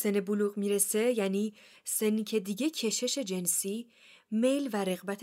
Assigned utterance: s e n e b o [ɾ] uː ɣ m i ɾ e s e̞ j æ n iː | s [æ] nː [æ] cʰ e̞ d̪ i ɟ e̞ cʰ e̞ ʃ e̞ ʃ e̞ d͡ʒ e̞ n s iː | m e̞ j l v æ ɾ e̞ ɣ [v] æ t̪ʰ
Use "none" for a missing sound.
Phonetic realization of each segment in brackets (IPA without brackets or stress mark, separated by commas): l, e, i, b